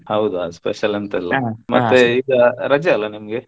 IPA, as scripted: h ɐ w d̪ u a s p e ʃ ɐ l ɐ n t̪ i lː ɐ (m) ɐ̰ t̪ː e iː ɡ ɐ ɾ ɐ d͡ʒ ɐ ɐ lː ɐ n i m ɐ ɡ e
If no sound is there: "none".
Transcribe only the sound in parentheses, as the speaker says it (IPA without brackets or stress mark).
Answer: m